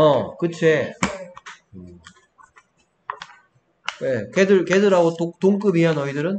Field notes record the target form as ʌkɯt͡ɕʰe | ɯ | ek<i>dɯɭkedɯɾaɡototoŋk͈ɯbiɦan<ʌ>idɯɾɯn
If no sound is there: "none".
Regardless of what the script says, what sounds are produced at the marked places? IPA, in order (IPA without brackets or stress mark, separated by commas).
e, ʌ